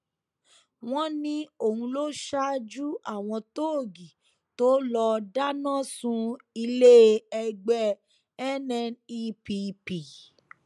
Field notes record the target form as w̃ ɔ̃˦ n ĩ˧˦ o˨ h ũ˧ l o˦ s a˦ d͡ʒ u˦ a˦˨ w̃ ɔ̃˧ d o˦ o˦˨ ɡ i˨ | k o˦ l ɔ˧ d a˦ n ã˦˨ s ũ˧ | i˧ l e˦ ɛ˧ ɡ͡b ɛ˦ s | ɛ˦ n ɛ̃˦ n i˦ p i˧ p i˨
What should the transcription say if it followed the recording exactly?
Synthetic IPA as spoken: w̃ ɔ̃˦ n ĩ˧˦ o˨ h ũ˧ l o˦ ʃ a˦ d͡ʒ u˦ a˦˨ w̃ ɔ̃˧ t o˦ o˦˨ ɡ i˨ | t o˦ l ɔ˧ d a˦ n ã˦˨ s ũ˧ | i˧ l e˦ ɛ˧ ɡ͡b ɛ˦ | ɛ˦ n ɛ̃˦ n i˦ p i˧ p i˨